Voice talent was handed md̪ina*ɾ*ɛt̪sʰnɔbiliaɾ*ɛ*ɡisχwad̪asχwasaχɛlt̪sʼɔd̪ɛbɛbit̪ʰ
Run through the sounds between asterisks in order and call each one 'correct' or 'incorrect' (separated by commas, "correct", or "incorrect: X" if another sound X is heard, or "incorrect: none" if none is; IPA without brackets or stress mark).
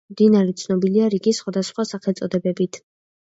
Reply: correct, incorrect: i